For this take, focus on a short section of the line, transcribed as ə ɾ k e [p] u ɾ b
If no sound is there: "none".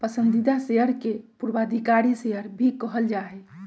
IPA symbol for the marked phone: p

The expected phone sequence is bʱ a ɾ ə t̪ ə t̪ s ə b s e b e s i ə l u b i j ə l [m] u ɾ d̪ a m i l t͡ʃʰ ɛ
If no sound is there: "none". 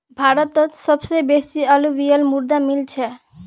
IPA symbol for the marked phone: m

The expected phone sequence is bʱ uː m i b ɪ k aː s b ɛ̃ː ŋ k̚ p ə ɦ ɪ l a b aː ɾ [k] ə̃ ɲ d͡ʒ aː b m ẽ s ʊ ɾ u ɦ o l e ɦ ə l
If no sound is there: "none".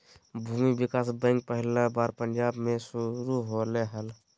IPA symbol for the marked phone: p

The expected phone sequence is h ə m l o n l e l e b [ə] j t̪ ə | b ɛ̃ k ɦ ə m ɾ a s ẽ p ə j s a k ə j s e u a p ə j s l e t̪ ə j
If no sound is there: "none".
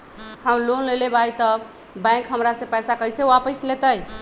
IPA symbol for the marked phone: a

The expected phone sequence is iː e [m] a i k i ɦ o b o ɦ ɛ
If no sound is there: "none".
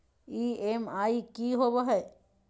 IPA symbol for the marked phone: m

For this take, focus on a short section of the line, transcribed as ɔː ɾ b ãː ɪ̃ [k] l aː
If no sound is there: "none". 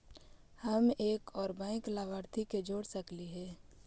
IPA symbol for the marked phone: k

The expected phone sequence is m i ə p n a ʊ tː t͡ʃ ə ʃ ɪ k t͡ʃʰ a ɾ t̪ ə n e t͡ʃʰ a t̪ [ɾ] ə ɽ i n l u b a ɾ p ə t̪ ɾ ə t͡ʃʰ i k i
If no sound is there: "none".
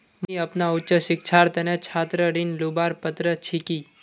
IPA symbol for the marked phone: ɾ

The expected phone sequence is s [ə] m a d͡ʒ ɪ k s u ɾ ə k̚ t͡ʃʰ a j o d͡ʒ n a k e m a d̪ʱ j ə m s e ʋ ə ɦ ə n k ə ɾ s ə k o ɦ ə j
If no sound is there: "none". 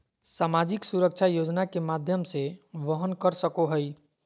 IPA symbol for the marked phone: a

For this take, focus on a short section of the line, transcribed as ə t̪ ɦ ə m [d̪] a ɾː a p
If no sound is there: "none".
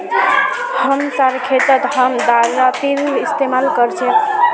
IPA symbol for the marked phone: d̪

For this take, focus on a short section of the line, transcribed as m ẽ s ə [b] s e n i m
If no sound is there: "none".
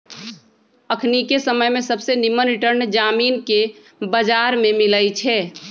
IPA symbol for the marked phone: b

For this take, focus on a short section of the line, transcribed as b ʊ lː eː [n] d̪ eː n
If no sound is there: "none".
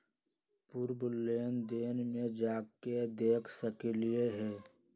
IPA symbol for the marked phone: n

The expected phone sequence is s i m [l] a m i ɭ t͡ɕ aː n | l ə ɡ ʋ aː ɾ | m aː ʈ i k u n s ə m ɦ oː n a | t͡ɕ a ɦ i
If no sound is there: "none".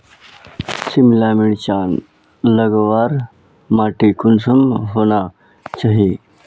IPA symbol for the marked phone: l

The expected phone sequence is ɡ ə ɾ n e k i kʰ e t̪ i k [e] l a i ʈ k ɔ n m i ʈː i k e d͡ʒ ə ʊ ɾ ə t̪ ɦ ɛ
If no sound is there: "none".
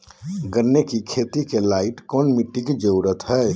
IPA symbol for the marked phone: e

